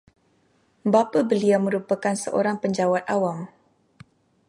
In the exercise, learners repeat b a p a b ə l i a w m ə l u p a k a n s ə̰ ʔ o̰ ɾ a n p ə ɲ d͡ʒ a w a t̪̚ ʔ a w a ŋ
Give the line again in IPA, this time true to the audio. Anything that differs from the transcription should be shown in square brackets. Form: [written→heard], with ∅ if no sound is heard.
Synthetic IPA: b a p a b ə l i a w m ə [l→ɾ] u p a k a n s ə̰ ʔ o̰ ɾ a [n→ŋ] p ə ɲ d͡ʒ a w a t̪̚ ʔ a w a [ŋ→m]